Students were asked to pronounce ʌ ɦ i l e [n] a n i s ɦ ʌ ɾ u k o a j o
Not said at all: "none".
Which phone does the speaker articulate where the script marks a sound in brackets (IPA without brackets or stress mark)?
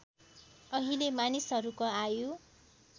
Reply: m